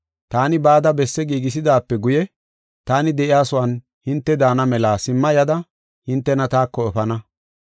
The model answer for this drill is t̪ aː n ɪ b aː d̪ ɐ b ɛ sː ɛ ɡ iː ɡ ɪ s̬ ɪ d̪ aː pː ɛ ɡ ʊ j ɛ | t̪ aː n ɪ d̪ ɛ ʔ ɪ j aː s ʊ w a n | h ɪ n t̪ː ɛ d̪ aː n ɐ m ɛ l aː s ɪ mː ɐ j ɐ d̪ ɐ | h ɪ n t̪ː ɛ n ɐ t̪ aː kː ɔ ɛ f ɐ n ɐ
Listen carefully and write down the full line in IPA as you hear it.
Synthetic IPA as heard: t̪ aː n ɪ b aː d̪ ɐ b ɛ sː ɛ ɡ iː ɡ ɪ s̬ ɪ d̪ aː pː ɛ ɡ ʊ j ɛ | t̪ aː n ɪ d̪ ɛ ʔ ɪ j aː s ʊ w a n | h ɪ n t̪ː ɛ d̪ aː n ɐ m ɛ l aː s ɪ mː ɐ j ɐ d̪ ɐ | h ɪ n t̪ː ɛ n ɐ t̪ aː kː ɔ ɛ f ɐ n ɐ